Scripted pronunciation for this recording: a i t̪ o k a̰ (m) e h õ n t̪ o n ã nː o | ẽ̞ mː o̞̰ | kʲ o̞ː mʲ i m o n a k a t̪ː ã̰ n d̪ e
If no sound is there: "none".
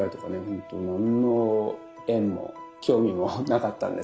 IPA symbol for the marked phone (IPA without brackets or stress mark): n